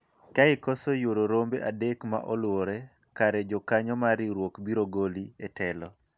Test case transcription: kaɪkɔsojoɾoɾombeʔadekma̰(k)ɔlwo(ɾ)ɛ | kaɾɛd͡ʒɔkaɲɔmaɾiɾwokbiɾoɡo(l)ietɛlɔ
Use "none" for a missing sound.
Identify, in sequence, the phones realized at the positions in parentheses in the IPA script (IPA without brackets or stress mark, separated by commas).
ʔ, ɾ, l